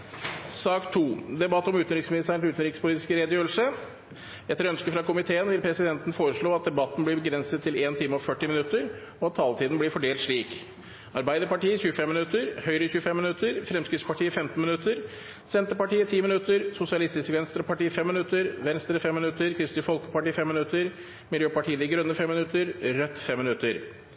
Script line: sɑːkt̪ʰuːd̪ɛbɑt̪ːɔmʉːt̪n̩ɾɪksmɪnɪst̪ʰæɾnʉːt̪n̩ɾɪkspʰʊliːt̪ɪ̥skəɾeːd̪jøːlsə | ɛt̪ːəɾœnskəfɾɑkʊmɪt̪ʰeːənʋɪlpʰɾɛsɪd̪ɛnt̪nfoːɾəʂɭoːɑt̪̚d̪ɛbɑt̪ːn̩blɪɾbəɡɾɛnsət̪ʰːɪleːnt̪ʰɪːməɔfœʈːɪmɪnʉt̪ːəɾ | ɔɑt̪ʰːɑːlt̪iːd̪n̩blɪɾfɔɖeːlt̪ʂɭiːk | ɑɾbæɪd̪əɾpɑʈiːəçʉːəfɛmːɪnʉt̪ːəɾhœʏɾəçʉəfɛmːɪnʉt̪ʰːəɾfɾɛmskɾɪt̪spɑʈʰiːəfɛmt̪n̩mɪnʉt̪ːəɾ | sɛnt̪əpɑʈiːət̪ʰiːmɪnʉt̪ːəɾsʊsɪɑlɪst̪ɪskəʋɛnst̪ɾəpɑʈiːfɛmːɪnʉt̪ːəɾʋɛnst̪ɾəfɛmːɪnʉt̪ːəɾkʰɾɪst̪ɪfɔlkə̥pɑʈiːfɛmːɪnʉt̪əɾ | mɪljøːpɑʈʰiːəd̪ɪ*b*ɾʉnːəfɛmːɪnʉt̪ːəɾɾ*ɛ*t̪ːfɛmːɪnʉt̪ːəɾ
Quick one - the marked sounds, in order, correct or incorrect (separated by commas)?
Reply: incorrect, incorrect